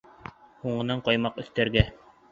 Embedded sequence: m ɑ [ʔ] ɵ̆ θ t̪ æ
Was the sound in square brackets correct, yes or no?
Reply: no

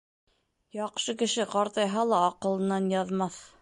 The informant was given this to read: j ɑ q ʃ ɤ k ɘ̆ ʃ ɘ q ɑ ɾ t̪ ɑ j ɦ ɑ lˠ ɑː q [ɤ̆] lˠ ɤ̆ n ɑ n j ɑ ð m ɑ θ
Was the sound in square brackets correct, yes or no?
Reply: yes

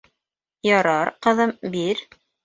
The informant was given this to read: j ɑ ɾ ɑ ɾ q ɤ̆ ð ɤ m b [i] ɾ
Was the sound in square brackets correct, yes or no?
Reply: yes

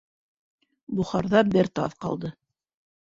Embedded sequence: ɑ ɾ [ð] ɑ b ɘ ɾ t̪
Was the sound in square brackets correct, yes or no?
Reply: yes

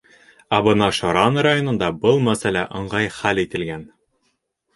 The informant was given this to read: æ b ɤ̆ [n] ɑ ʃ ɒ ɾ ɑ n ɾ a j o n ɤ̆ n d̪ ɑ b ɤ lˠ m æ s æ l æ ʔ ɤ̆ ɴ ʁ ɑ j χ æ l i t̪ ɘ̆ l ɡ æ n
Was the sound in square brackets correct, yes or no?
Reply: yes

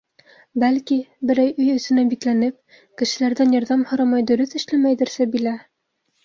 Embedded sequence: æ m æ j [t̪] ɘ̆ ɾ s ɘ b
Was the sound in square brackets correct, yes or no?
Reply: no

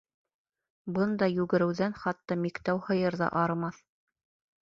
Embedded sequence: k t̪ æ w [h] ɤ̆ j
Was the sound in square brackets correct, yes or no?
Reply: yes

